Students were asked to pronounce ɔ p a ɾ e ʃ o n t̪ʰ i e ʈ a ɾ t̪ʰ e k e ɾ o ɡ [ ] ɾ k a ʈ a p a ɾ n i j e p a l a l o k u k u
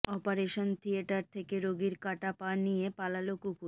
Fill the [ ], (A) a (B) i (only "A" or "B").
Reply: B